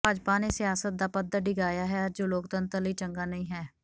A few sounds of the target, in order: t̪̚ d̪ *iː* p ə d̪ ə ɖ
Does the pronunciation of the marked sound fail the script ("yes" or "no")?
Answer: yes